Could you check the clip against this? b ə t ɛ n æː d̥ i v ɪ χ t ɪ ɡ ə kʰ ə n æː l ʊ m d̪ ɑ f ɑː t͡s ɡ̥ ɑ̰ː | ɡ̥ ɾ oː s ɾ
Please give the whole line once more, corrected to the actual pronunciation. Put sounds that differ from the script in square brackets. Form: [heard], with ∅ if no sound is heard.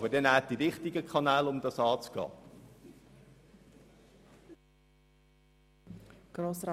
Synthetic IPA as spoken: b ə [d] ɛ n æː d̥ i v ɪ χ t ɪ ɡ ə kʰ [ɑ] n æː l ʊ m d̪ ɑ [s] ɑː t͡s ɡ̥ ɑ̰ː | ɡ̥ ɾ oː s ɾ